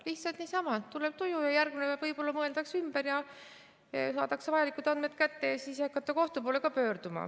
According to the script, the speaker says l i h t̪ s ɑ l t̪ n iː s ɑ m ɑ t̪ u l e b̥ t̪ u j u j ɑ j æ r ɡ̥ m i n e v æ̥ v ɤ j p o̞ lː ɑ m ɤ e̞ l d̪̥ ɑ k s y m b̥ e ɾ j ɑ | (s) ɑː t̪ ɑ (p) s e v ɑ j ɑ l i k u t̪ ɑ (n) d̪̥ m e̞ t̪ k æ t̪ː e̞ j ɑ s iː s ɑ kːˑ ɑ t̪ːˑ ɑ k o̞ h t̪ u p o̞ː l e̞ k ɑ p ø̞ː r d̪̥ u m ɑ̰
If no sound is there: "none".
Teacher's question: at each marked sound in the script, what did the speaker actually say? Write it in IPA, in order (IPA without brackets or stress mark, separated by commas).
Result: s, k, n